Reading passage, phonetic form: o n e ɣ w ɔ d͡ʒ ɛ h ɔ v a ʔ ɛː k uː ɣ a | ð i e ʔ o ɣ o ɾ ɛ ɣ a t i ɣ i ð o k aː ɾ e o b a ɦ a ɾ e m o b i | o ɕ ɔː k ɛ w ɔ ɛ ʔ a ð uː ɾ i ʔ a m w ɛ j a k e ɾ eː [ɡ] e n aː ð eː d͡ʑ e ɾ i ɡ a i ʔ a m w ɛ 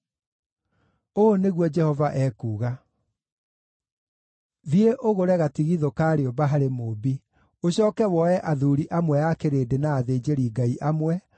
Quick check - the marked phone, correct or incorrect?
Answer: incorrect